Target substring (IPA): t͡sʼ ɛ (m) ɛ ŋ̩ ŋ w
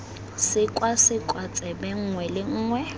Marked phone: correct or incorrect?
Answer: incorrect